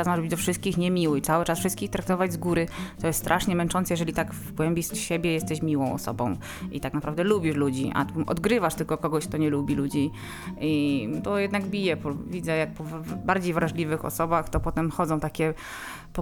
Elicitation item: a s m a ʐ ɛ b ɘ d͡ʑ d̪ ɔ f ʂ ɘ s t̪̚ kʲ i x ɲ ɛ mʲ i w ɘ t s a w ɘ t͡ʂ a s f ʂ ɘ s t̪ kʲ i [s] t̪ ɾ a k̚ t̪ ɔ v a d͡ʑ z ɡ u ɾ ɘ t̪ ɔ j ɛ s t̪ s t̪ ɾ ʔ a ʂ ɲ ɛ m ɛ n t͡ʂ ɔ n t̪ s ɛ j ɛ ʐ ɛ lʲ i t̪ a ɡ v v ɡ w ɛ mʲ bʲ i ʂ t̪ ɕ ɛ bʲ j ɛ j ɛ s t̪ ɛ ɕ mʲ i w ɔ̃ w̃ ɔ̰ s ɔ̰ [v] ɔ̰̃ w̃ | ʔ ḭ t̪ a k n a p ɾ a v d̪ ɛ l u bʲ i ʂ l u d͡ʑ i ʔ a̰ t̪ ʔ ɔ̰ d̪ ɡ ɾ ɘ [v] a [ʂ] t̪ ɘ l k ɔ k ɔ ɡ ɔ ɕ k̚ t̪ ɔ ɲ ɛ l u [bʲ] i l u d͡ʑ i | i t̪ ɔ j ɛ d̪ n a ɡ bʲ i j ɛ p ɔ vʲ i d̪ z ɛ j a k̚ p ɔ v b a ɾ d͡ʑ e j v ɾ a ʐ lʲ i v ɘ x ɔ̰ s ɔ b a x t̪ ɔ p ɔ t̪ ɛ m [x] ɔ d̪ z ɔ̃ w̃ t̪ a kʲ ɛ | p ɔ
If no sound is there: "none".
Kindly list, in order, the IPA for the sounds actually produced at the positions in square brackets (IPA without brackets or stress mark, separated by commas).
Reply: x, b, v, ʂ, bʲ, x